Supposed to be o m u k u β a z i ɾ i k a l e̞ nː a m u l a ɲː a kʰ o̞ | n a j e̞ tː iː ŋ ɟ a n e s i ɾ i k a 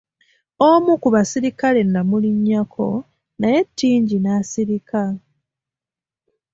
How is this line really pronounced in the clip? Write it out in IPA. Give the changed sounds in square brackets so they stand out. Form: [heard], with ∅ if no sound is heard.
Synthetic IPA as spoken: o m u k u β a [s] i ɾ i k a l e̞ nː a m u l [i] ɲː a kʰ o̞ | n a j e̞ tː iː [ɲ] ɟ [i] n [a] s i ɾ i k a